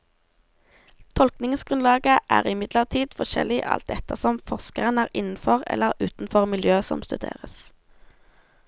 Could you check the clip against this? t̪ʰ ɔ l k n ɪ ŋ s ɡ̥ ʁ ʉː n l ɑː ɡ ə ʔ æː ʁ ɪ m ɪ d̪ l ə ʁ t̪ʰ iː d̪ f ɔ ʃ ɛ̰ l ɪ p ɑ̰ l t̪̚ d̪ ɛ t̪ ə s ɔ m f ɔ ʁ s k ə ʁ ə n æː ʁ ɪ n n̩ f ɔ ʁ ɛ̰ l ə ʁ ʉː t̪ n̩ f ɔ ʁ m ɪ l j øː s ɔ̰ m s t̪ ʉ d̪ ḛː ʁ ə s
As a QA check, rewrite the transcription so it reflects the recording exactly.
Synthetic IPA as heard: t̪ʰ ɔ l k n ɪ ŋ s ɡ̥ ʁ ʉ n l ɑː ɡ ə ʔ æː ʁ ɪ m ɪ d̪ l ə ʁ t̪ʰ iː d̪ f ɔ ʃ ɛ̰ l ɪ ʔ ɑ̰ l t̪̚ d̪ ɛ t̪ ə s ɔ m f ɔ ʁ s k ə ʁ ə n æː ʁ ɪ n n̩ f ɔ ʁ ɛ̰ l ə ʁ ʉː t̪ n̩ f ɔ ʁ m ɪ l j øː s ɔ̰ m s t̪ ʉ d̪ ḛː ʁ ə s